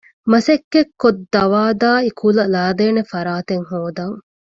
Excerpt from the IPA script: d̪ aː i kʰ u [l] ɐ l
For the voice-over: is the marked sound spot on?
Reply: yes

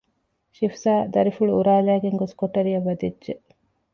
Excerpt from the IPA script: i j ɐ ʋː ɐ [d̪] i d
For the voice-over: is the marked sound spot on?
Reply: yes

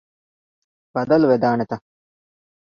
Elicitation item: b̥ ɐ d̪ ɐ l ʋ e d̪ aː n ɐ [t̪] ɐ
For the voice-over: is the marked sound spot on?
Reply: yes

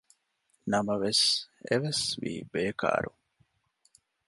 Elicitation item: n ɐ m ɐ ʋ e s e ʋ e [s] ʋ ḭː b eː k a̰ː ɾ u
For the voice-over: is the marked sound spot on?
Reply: yes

